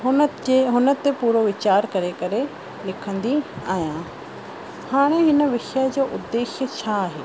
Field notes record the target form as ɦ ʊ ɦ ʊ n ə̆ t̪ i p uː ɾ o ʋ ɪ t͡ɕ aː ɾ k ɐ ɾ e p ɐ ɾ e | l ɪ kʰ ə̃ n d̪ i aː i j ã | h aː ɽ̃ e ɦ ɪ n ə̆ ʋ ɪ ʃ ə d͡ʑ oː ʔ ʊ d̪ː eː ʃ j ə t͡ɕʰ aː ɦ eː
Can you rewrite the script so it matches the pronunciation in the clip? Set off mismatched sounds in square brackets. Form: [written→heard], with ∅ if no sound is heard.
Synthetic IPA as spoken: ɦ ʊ ɦ ʊ n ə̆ t̪ [i→e] p uː ɾ o ʋ ɪ t͡ɕ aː ɾ k ɐ ɾ e [p→k] ɐ ɾ e | l ɪ kʰ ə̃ n d̪ i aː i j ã | h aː ɽ̃ e ɦ ɪ n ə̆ ʋ ɪ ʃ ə d͡ʑ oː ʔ ʊ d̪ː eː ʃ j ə t͡ɕʰ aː ɦ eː